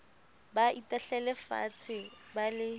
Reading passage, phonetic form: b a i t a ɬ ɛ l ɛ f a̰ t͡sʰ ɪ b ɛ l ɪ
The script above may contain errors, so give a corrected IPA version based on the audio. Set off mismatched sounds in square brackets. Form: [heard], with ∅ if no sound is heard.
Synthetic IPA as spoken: b a i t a ɬ ɛ l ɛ f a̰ t͡sʰ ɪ b [a] l ɪ